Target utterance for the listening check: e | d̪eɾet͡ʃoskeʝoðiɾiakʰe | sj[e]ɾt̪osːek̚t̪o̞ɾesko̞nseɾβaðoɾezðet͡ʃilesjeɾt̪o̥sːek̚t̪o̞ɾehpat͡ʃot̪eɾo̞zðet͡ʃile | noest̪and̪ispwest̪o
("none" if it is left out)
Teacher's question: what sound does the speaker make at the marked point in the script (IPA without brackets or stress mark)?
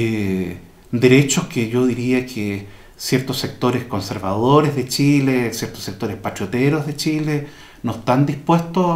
e